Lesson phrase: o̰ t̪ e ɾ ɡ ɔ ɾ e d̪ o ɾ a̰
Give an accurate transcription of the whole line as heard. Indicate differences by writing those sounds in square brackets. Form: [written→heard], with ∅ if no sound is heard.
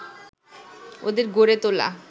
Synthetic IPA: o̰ [t̪→d̪] e ɾ ɡ [ɔ→o] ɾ e [d̪→t̪] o [ɾ→l] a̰